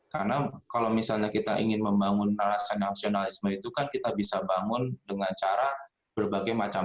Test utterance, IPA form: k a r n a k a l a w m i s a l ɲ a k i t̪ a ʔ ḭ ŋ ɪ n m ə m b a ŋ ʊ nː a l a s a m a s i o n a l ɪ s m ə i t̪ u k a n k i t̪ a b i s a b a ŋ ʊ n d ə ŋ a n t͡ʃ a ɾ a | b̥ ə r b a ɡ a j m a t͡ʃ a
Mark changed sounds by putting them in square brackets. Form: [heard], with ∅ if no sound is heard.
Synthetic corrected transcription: k a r n a k a l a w m i s a l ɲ a k i t̪ a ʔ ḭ ŋ ɪ n m ə m b a ŋ ʊ nː a l a s a [n] a s i o n a l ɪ s m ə i t̪ u k a n k i t̪ a b i s a b a ŋ ʊ n d ə ŋ a n t͡ʃ a ɾ a | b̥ ə r b a ɡ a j m a t͡ʃ a